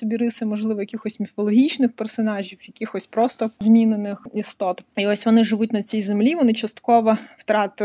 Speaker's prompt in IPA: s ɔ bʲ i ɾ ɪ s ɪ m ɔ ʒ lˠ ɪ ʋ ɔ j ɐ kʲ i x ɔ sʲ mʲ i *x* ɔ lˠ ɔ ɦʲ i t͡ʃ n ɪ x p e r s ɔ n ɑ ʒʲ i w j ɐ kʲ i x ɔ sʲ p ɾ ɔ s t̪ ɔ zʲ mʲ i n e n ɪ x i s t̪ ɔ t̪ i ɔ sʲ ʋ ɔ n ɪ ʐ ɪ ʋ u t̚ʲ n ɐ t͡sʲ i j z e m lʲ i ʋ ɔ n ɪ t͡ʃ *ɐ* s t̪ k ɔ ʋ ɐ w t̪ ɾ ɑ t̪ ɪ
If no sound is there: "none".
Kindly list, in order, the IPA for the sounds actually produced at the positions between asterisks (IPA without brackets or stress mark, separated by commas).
f, ɐ